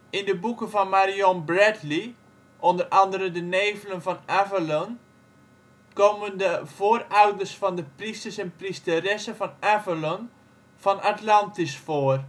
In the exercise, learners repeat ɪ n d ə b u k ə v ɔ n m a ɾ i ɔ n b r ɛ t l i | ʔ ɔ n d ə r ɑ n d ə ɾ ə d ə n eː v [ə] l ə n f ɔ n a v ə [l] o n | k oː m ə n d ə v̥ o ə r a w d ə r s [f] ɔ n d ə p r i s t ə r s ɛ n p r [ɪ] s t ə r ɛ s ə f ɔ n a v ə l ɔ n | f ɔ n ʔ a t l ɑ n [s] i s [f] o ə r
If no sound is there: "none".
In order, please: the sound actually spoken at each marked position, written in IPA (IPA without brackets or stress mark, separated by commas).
ə, l, f, i, t, f